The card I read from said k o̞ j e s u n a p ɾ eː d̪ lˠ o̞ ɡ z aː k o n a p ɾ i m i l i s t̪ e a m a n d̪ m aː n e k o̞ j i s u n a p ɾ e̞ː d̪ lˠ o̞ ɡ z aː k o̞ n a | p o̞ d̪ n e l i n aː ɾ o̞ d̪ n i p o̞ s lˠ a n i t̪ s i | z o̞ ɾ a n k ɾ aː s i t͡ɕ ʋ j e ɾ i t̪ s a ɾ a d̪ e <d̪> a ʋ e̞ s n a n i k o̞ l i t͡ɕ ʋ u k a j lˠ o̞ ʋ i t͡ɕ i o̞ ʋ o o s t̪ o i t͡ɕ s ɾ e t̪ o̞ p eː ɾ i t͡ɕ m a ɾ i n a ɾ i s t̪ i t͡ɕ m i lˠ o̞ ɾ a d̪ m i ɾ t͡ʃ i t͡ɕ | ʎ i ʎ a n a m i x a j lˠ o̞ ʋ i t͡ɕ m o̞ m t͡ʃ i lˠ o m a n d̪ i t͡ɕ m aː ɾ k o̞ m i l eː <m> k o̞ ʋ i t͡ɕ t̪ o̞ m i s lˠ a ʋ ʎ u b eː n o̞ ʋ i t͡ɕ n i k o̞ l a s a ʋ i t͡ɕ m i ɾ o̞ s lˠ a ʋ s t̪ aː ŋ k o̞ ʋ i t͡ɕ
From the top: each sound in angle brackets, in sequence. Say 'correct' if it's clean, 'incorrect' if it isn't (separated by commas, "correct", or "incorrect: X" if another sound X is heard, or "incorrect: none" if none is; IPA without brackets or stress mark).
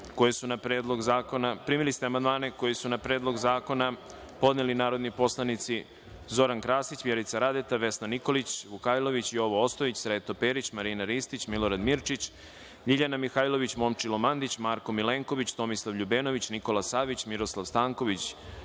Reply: incorrect: t̪, incorrect: ŋ